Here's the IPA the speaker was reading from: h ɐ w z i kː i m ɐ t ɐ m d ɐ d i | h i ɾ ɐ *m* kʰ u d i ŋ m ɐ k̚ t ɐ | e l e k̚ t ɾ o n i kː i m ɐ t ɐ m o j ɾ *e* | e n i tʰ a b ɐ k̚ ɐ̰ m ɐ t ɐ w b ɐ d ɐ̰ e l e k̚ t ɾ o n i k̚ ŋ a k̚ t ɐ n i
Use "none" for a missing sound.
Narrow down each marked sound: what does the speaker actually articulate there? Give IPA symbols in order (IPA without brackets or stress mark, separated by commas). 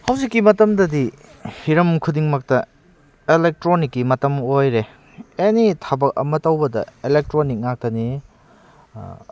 m, e